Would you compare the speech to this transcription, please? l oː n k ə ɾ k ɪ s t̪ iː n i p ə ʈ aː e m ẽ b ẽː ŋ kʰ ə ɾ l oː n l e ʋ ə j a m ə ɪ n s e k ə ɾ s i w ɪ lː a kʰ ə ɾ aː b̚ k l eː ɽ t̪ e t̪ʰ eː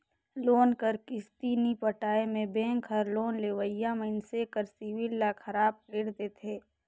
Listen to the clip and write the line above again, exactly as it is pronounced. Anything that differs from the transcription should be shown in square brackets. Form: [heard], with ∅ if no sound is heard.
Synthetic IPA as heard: l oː n k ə ɾ k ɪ s t̪ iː n i p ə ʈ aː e m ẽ b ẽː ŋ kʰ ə ɾ l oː n l e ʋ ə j a m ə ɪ n s e k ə ɾ s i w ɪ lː a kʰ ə ɾ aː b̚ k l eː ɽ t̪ e t̪ʰ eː